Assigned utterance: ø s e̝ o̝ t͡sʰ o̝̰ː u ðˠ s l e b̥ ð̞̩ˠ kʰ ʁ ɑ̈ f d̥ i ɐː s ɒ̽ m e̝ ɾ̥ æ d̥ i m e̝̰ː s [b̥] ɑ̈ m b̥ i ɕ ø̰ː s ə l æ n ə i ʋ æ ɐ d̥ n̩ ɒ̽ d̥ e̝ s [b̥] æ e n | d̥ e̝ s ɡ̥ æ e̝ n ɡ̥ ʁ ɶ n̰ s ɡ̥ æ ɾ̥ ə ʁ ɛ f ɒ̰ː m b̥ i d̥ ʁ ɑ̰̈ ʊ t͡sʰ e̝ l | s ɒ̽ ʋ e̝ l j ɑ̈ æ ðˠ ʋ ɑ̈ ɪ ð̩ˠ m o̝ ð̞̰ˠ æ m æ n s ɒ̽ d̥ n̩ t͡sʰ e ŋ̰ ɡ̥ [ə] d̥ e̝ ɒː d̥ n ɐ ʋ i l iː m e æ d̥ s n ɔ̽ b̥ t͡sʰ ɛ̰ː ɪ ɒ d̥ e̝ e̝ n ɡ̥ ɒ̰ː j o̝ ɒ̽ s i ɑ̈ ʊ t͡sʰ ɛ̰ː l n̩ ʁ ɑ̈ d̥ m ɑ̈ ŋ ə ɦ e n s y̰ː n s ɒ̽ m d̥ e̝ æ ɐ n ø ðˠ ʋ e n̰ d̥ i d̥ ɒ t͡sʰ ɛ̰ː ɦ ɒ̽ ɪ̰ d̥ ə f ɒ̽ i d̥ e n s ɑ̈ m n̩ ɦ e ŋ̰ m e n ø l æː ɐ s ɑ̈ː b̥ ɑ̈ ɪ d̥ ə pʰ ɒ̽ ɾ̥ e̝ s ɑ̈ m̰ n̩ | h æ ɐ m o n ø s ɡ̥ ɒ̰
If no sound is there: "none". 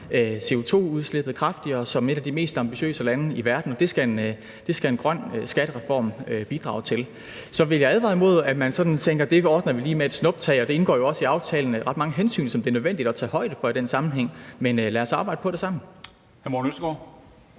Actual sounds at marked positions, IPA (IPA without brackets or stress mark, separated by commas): d̥, ɡ̥, ɐ